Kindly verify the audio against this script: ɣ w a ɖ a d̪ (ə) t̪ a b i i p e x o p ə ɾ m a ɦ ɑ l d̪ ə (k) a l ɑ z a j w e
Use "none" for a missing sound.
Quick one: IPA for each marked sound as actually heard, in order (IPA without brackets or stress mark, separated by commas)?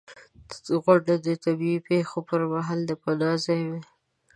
ə, p